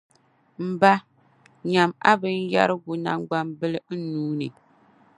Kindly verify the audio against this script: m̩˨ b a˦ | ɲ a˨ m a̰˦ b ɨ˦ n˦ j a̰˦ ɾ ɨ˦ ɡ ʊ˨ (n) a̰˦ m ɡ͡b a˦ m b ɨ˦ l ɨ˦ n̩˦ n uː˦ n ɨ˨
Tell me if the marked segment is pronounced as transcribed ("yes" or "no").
yes